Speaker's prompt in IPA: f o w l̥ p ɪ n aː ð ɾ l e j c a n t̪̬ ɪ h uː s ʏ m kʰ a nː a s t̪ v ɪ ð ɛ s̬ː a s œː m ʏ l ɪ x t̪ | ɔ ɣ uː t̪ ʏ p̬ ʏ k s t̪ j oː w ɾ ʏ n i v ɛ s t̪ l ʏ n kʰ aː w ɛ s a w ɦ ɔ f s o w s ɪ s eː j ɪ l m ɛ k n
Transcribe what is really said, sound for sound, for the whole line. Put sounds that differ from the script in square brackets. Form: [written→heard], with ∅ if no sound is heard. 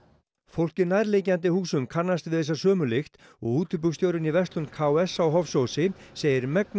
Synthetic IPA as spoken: f o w l̥ [p→c] ɪ n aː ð ɾ l e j c a n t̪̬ ɪ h uː s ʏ m kʰ a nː a s t̪ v ɪ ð ɛ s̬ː a s œː m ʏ l ɪ x t̪ | ɔ ɣ uː t̪ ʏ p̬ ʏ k s t̪ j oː w ɾ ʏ n i v ɛ s t̪ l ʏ n kʰ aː w ɛ s a w ɦ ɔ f s o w s ɪ s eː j ɪ [l→ɾ] m ɛ k n